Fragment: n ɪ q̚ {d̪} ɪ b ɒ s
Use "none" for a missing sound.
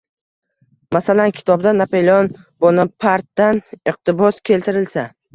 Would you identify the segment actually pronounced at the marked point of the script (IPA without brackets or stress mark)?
t̪